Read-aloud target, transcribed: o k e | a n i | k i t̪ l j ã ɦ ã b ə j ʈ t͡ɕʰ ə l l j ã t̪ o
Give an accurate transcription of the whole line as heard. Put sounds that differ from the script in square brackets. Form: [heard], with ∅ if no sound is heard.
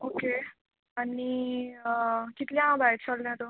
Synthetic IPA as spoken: o k e | a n i | k i t̪ l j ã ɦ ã b [a] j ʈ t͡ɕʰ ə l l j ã t̪ o